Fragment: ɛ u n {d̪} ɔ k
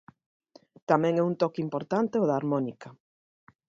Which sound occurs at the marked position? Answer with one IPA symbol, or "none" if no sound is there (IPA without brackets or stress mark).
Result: t̪